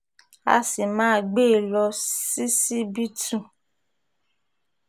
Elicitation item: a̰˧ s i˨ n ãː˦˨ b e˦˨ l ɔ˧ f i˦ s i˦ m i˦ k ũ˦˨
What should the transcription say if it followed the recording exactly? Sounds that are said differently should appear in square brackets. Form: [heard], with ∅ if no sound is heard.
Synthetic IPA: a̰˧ s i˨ [m] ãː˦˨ [ɡ͡b] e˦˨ l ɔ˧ [s] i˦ s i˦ [b] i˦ [t] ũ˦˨

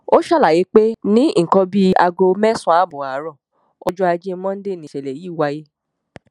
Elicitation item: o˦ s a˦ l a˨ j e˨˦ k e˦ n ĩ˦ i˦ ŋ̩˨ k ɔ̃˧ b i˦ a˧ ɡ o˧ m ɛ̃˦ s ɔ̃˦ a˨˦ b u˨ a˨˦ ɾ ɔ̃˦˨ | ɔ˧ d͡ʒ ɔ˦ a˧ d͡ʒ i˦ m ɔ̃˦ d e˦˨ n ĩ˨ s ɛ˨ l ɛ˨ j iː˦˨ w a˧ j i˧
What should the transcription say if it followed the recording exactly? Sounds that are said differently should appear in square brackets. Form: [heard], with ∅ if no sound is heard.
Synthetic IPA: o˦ [ʃ] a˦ l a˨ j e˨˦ [k͡p] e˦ n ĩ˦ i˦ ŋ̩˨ k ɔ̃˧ b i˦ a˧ ɡ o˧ m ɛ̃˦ s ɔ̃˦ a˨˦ b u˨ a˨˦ ɾ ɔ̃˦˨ | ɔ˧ d͡ʒ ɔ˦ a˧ d͡ʒ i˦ m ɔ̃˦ d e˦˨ n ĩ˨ [ʃ] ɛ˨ l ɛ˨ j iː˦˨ w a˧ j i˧

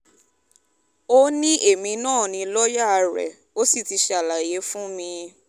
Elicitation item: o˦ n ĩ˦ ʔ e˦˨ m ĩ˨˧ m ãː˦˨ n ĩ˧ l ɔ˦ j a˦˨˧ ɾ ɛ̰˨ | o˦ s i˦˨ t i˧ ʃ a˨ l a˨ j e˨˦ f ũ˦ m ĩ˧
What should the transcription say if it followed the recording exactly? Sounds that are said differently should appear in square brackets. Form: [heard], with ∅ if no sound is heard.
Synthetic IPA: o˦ n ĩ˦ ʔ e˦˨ m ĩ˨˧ [n] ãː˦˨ n ĩ˧ l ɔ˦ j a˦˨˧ ɾ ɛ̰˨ | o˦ s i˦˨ t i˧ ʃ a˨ l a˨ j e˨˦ f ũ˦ m ĩ˧

